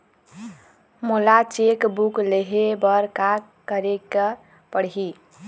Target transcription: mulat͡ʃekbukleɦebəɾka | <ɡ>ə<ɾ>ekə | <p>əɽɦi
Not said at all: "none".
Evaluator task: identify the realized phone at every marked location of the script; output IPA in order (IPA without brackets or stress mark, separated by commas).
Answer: k, ɾ, p